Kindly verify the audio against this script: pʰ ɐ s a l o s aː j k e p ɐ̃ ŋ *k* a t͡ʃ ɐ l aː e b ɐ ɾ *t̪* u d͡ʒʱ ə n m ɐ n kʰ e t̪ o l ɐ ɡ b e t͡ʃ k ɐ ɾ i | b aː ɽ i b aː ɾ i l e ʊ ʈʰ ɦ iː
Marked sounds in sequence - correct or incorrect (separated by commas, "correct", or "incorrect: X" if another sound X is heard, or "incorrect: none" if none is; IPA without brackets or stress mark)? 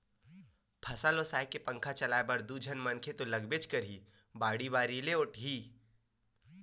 incorrect: kʰ, incorrect: d̪